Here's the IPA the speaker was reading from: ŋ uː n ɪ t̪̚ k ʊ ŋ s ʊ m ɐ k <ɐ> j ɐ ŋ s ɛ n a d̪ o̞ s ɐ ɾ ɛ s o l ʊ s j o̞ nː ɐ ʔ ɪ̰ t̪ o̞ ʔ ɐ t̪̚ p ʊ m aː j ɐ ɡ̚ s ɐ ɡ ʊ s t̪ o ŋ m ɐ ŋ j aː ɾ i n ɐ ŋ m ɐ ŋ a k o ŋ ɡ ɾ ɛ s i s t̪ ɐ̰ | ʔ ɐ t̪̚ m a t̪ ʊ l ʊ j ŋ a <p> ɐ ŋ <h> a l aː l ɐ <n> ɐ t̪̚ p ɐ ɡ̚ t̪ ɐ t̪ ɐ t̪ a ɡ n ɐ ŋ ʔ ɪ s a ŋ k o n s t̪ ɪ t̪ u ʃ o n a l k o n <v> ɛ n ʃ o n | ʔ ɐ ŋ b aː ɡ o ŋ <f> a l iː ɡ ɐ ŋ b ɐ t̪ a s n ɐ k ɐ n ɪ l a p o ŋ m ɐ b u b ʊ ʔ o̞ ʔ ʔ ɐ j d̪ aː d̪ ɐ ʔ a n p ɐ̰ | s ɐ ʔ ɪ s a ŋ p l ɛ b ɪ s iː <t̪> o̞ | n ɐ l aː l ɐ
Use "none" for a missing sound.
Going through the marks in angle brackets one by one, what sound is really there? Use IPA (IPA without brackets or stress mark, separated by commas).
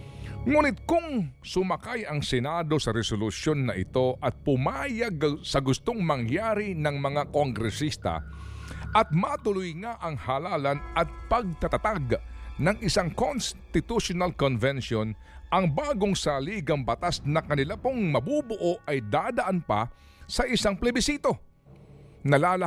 a, ʔ, h, n, v, s, t̪